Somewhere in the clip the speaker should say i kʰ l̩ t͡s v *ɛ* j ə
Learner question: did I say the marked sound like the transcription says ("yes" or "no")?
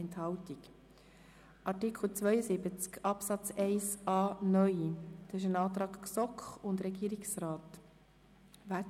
no